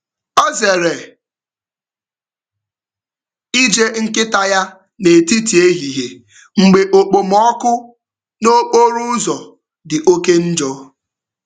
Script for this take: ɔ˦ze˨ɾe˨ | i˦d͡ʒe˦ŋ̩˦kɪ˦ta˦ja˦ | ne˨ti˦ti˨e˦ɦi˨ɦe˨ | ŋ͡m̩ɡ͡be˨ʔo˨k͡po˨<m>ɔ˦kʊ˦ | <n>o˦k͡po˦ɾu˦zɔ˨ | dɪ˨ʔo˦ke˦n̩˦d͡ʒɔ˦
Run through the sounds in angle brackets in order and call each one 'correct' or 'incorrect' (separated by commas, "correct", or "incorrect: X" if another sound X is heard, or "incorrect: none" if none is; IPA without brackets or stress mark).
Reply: correct, correct